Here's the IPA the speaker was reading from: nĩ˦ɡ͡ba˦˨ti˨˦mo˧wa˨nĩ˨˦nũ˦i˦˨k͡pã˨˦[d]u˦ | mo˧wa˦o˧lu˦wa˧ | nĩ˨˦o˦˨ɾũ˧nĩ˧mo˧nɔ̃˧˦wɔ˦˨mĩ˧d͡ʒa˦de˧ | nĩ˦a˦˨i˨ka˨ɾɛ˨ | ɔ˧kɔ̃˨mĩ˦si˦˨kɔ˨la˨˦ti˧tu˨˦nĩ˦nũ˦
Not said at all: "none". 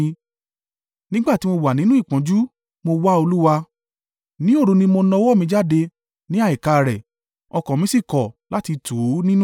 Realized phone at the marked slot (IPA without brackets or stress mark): d͡ʒ